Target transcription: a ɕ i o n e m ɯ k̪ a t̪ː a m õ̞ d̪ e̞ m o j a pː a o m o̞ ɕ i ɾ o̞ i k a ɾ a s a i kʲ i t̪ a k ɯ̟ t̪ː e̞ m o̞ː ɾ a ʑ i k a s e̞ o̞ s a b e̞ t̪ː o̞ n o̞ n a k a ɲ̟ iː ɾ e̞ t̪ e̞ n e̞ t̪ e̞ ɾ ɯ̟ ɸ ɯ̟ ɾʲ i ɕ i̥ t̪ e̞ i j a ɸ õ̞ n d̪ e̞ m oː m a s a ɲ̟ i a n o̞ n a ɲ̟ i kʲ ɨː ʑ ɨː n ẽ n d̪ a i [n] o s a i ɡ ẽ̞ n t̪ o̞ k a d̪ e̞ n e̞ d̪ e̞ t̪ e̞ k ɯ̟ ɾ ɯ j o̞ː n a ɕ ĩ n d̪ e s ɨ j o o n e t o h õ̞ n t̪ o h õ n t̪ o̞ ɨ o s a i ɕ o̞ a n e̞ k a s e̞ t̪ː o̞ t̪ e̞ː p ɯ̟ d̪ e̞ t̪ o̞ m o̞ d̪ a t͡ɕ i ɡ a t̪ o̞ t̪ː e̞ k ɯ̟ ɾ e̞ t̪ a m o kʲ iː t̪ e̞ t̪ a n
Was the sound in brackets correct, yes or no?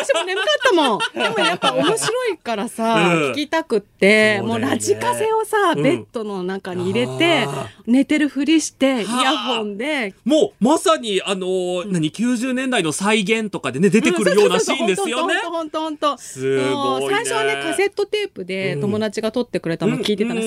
yes